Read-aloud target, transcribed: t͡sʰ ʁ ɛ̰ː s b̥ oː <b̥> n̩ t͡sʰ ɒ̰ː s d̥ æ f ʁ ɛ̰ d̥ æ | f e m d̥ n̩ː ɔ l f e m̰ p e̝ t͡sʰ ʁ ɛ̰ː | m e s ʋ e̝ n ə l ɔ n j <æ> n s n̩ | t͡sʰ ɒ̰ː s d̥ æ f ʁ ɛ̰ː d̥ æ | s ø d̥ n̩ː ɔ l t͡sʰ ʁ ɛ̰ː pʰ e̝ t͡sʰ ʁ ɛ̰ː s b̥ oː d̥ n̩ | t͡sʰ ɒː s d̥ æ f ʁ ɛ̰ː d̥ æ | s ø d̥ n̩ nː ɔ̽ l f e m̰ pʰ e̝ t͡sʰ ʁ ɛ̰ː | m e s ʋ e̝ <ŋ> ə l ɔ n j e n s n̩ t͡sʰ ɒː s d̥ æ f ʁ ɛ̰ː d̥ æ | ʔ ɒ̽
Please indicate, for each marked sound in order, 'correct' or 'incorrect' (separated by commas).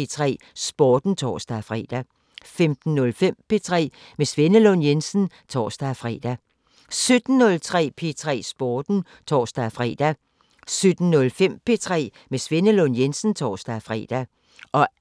incorrect, incorrect, incorrect